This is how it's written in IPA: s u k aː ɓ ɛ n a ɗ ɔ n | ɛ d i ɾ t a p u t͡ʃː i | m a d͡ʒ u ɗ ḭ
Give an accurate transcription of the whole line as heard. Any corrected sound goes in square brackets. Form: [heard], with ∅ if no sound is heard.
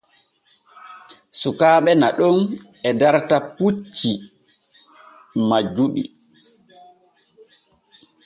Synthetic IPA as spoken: s u k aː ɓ ɛ n a ɗ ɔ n | ɛ d [a] ɾ t a p u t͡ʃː i | m a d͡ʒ u ɗ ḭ